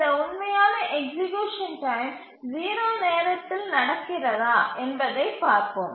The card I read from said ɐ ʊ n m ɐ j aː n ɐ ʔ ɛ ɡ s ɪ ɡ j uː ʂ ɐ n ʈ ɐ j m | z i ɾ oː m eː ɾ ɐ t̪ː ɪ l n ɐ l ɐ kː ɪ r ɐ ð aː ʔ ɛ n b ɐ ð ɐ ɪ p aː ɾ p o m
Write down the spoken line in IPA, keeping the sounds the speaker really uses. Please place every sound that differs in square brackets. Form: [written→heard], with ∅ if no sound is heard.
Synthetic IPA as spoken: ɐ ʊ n m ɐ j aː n ɐ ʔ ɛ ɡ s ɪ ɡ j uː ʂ ɐ n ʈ ɐ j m | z [i→iː] ɾ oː [m→n] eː ɾ ɐ t̪ː ɪ l n ɐ [l→ɽ] ɐ kː ɪ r ɐ ð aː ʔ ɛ n b ɐ ð ɐ ɪ p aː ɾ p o m